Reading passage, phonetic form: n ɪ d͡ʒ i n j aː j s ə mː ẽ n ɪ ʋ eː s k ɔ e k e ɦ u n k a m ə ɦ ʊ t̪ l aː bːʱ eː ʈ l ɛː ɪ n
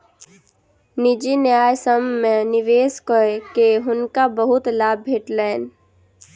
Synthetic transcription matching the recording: n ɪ d͡ʒ i n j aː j s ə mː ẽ n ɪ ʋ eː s k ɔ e k e ɦ ʊ n k a b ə ɦ ʊ t̪ l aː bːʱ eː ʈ l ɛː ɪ n